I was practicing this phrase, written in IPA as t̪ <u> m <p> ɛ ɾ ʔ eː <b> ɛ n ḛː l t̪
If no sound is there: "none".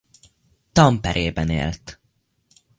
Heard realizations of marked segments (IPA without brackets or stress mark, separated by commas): ɒ, p, b